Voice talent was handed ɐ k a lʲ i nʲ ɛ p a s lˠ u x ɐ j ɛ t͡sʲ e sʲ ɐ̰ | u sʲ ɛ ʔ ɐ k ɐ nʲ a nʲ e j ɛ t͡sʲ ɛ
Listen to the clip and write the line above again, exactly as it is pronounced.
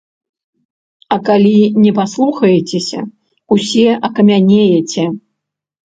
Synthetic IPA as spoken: ɐ k a lʲ i nʲ ɛ p a s lˠ u x ɐ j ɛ t͡sʲ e sʲ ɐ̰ | u sʲ ɛ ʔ ɐ k ɐ mʲ a nʲ e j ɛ t͡sʲ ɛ